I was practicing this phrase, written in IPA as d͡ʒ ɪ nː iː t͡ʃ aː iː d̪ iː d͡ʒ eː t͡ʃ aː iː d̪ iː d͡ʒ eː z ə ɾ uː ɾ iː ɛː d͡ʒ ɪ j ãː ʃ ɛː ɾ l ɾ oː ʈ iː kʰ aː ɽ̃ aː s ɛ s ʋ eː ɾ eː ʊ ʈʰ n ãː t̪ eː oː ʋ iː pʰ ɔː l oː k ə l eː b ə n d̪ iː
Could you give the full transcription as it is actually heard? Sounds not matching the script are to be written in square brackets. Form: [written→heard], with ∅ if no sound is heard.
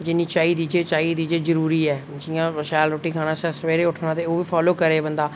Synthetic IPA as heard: d͡ʒ ɪ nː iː t͡ʃ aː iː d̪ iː d͡ʒ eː t͡ʃ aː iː d̪ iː d͡ʒ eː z ə ɾ uː ɾ iː ɛː d͡ʒ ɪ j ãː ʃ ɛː [ɾ→∅] l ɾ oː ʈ iː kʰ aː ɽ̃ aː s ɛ s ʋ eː ɾ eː ʊ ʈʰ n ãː t̪ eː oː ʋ iː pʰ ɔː l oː k ə [l→ɾ] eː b ə n d̪ [iː→aː]